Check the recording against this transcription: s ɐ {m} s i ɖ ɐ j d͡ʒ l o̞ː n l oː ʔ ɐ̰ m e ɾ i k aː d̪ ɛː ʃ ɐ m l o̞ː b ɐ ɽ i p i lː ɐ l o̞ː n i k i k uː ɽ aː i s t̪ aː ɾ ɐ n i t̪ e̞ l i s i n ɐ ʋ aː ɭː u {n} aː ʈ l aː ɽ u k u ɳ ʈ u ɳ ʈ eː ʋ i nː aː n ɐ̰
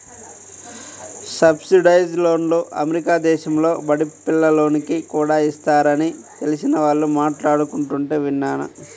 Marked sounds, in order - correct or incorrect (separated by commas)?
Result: incorrect, incorrect